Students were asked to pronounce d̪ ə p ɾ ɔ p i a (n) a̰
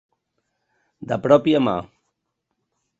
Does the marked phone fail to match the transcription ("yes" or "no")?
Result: yes